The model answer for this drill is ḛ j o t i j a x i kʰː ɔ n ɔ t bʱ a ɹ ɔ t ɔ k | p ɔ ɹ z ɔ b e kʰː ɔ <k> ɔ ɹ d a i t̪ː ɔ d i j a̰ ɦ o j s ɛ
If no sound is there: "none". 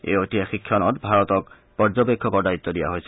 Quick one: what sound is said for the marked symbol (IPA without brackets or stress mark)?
k